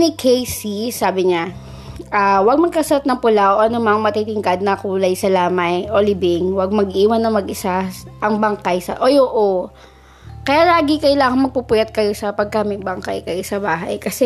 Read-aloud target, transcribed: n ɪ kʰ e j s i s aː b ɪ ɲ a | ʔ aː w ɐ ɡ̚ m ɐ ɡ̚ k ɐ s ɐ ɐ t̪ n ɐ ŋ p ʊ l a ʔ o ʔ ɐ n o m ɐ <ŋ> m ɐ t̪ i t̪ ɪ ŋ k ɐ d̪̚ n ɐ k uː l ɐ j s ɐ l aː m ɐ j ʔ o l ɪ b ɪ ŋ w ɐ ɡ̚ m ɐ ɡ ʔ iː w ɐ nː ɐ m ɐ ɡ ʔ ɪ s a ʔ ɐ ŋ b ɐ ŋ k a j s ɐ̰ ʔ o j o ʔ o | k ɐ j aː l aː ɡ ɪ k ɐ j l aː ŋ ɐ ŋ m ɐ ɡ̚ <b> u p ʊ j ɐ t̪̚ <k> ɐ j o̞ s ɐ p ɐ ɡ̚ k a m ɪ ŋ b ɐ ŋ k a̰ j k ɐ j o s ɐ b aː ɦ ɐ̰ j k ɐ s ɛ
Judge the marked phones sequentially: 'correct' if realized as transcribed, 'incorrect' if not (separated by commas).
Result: correct, incorrect, correct